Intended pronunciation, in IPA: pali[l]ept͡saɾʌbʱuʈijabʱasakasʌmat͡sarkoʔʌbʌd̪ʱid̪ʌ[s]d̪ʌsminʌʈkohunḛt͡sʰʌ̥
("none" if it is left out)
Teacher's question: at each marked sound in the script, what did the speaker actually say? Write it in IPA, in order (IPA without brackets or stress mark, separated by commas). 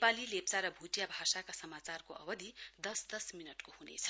l, s